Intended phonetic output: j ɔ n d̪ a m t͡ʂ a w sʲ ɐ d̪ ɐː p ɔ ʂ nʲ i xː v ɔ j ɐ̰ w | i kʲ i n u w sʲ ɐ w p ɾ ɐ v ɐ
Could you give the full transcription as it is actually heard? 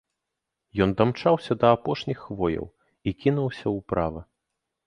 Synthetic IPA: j ɔ n d̪ a m t͡ʂ a w sʲ ɐ d̪ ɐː p ɔ ʂ nʲ i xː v ɔ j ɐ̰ w | i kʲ i n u w sʲ ɐ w p ɾ a v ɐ